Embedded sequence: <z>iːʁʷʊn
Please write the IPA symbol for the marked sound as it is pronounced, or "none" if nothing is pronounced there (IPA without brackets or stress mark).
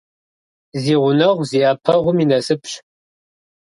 z